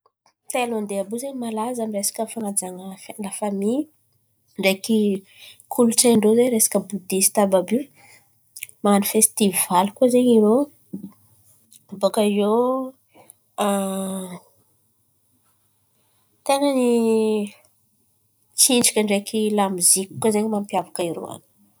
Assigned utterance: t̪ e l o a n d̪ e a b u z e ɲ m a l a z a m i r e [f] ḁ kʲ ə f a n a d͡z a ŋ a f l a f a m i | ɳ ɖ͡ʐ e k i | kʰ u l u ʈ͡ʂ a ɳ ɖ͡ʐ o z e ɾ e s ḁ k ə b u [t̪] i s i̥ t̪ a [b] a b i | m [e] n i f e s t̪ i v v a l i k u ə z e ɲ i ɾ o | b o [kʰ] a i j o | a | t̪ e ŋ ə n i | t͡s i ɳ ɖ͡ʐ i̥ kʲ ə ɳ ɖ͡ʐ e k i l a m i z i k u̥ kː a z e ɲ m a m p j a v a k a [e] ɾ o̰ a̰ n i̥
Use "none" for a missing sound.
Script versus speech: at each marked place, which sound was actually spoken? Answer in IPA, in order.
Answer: s, d̪, b, a, k, i

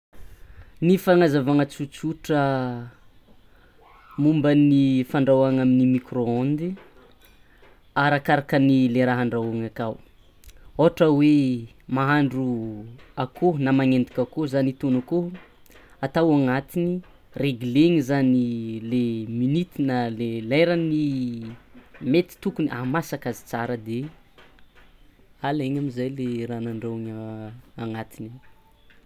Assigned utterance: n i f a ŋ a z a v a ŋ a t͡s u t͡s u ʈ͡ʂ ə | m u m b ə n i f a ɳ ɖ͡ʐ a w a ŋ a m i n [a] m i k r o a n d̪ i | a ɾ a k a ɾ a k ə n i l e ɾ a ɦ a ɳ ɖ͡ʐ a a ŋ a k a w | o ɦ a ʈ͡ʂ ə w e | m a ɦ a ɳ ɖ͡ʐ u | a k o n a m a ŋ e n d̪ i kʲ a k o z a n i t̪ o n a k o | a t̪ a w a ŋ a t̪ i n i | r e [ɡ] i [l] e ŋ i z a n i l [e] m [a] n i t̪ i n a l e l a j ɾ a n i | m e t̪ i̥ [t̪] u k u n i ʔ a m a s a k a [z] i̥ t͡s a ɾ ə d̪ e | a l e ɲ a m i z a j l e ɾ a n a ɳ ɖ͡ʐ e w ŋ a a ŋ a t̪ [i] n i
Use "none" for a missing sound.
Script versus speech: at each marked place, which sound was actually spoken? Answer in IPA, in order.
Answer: i, ɡ, l, e, i, t̪, z, i

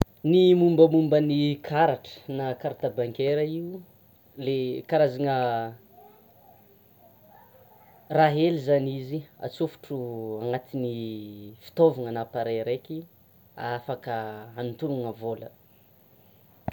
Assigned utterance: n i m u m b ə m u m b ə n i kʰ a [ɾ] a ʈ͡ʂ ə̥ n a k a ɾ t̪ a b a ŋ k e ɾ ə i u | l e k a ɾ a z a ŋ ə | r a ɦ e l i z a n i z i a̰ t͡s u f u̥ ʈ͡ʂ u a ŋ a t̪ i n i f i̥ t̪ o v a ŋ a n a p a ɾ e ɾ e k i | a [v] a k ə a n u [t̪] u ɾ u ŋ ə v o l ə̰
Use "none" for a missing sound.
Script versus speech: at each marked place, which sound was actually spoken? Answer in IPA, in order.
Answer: ɾ, f, t̪

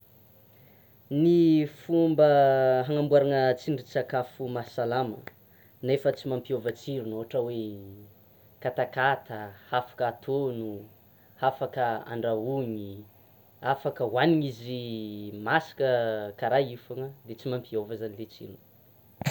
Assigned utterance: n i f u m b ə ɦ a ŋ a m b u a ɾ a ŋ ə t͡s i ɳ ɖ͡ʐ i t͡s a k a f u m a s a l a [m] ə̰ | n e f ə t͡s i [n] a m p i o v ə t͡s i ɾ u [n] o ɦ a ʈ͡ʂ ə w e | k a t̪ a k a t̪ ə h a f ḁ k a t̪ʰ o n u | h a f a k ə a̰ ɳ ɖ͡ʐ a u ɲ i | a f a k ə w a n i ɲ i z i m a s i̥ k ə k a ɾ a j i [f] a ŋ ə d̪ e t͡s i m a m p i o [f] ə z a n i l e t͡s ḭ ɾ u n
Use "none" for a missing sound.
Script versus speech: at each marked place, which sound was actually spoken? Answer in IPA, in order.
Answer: m, m, n, f, v

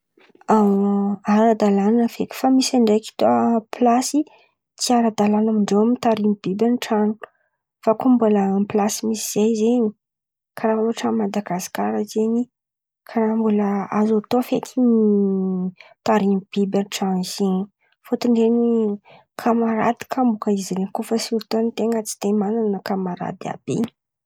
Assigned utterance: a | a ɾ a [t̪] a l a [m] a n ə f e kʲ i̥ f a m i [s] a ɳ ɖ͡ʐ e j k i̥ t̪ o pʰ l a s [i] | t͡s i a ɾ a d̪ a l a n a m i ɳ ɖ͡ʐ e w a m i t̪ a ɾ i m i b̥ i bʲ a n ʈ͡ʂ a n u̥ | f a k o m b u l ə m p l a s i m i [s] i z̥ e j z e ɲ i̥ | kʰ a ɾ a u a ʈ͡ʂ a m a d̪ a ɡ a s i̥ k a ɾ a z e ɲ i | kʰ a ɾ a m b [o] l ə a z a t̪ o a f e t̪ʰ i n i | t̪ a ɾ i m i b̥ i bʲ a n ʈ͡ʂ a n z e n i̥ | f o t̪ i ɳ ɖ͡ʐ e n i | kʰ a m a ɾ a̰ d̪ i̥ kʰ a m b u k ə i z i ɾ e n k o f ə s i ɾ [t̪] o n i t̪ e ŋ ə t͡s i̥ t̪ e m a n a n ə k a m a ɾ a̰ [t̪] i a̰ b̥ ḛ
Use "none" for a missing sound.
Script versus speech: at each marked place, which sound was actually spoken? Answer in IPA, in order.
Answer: d̪, n, s, i, s, u, t̪, d̪

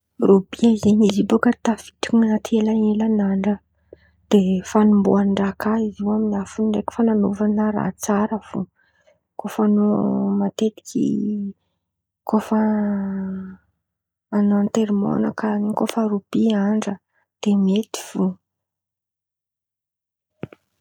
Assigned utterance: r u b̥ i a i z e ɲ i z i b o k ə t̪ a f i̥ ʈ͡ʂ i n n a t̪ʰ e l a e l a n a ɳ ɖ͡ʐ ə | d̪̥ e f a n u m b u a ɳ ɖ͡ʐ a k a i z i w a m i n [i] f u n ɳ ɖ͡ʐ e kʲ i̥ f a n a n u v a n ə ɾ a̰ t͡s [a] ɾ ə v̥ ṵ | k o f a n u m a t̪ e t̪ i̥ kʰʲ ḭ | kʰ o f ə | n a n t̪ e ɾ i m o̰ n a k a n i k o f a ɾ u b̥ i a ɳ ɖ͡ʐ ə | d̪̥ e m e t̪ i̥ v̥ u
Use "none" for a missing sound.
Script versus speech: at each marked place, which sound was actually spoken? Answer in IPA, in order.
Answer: a, a

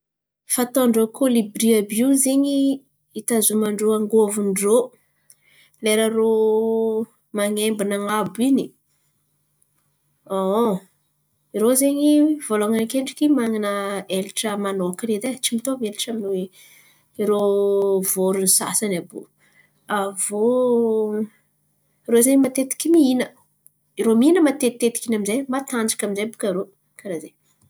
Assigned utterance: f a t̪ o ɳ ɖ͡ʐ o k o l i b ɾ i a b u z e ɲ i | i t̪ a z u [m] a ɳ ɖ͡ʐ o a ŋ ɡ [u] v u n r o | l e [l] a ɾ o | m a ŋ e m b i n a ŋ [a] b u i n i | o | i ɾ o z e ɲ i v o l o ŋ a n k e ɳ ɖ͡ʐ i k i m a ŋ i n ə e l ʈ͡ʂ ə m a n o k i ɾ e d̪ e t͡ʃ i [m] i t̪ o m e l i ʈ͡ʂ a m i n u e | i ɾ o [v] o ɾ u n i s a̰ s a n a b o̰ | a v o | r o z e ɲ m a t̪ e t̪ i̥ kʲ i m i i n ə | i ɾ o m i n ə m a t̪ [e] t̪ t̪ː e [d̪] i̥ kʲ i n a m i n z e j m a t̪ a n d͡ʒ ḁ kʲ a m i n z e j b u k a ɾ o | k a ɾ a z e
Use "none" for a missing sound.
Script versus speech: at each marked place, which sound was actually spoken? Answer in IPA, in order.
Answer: m, o, ɾ, a, m, v, e, t̪

